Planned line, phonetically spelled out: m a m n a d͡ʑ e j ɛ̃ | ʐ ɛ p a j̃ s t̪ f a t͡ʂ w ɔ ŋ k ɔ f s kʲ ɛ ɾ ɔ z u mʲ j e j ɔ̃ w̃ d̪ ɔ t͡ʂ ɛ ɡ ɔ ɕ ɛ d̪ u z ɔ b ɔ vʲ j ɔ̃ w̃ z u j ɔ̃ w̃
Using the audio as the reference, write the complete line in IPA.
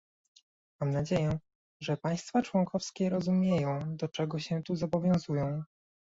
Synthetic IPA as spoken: m a m n a d͡ʑ e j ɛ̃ | ʐ ɛ p a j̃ s t̪ f a t͡ʂ w ɔ ŋ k ɔ f s kʲ ɛ ɾ ɔ z u mʲ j e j ɔ̃ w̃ d̪ ɔ t͡ʂ ɛ ɡ ɔ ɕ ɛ t̪ u z ɔ b ɔ vʲ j ɔ̃ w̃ z u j ɔ̃ w̃